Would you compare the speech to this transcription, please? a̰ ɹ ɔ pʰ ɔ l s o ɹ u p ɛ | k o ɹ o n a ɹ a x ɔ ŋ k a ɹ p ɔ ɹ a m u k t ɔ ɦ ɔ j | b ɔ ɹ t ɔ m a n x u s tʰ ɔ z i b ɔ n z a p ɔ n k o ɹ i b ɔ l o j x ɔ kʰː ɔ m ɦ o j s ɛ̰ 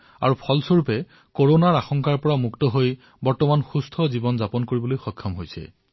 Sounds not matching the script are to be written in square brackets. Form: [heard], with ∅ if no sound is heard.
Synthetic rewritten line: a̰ ɹ [u] pʰ ɔ l s o ɹ u p ɛ | k o ɹ o n a ɹ a x ɔ ŋ k a ɹ p ɔ ɹ a m u k t ɔ ɦ [o] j | b ɔ ɹ t ɔ m a n x u s tʰ ɔ z i b ɔ n z a p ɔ n k o ɹ i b ɔ l o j x ɔ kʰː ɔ m ɦ o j s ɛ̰

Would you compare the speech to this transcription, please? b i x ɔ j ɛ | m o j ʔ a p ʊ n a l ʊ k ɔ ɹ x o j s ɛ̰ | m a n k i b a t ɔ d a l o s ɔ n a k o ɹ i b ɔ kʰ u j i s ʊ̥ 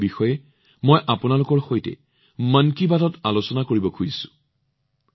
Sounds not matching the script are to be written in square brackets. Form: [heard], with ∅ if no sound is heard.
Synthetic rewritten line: b i x ɔ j ɛ | m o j ʔ a p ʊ n a l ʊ k ɔ ɹ x o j [t] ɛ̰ | m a n k i b a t ɔ [t] a l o s ɔ n a k o ɹ i b ɔ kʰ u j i s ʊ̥

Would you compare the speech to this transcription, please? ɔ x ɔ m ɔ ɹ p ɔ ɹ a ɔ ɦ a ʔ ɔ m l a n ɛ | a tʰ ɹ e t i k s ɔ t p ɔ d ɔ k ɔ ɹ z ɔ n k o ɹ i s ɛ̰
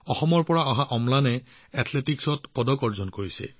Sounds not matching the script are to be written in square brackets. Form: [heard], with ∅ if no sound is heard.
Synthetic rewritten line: ɔ x ɔ m ɔ ɹ p ɔ ɹ a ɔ ɦ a ʔ ɔ m l a n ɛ | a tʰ [l] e t i k s ɔ t p ɔ d ɔ k ɔ ɹ z ɔ n k o ɹ i s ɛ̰

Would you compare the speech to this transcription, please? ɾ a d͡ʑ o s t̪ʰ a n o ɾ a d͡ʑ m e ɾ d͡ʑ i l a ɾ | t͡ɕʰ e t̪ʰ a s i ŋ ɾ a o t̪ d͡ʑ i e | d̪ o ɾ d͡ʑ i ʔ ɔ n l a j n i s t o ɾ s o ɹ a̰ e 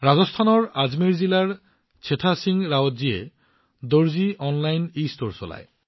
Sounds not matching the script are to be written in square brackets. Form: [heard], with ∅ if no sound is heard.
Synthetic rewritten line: ɾ a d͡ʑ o s t̪ʰ a n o ɾ a d͡ʑ m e ɾ d͡ʑ i l a ɾ | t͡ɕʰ e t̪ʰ a s i ŋ ɾ a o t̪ d͡ʑ i e | d̪ o ɾ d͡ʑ i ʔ ɔ n l a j n i s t o ɾ s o [l] a̰ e

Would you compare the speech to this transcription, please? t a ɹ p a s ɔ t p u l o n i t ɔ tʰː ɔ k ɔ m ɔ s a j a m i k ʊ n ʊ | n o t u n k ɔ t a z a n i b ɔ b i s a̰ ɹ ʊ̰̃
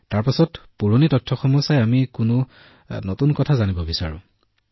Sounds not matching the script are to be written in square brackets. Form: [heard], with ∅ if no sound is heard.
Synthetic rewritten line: t a ɹ p a s ɔ t p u [ɹ] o n i t ɔ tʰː ɔ [x] ɔ m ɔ s a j a m i k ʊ n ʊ | n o t u n k ɔ [tʰ] a z a n i b ɔ b i s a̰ ɹ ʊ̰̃

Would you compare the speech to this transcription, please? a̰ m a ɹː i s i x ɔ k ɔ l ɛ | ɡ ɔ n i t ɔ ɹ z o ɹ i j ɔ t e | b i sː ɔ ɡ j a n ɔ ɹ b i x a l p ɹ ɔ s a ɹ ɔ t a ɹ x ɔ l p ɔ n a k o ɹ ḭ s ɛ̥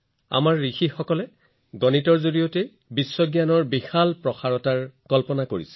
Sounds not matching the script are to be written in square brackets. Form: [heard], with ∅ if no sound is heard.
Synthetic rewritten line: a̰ m a ɹː i [x] i x ɔ k ɔ l ɛ | ɡ ɔ n i t ɔ ɹ z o ɹ i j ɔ t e | b i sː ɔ ɡ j a n ɔ ɹ b i x a l p ɹ ɔ [x] a ɹ ɔ t a ɹ [k] ɔ l p ɔ n a k o ɹ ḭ s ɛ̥

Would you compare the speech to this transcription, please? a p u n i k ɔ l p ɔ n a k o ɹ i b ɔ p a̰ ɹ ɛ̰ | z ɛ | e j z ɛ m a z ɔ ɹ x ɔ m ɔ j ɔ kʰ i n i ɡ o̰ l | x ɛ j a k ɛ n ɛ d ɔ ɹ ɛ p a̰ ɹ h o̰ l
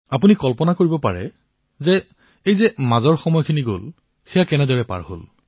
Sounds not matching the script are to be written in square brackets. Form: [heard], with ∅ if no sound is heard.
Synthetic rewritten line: a p u n i k ɔ l p ɔ n a k o ɹ i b ɔ p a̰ ɹ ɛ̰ | z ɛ | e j z ɛ m a z ɔ ɹ x ɔ m ɔ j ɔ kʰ i n i ɡ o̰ l | x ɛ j a k ɛ n ɛ d ɔ ɹ ɛ p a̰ ɹ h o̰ l

